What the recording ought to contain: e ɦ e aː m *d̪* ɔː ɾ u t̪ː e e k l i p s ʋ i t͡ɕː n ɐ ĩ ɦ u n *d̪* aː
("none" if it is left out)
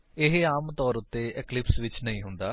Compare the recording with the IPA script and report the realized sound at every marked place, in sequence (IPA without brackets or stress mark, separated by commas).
t̪, d̪